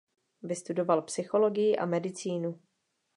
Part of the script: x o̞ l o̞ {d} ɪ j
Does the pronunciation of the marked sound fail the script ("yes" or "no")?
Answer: yes